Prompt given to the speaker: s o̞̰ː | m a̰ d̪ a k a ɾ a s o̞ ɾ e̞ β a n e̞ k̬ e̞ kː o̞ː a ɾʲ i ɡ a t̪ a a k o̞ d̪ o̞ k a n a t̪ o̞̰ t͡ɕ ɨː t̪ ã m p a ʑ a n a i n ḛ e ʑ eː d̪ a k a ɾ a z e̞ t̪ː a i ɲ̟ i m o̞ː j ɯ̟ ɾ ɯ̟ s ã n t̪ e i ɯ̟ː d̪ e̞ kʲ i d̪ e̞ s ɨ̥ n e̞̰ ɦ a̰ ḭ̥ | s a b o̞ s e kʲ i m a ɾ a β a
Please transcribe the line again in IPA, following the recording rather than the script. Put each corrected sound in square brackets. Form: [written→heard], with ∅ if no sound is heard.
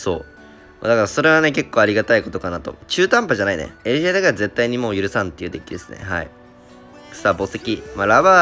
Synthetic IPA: s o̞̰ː | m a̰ d̪ a k a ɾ a s o̞ ɾ e̞ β a n e̞ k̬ e̞ kː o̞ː a ɾʲ i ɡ a t̪ a [a→i] k o̞ [d̪→t̪] o̞ k a n a t̪ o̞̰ t͡ɕ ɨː t̪ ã m p a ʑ a n a i n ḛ e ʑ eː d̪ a k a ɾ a z e̞ t̪ː a i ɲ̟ i m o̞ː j ɯ̟ ɾ ɯ̟ s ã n t̪ e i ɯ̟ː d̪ e̞ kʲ i d̪ e̞ s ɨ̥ n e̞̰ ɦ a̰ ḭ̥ | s a b o̞ s e kʲ i m a ɾ a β a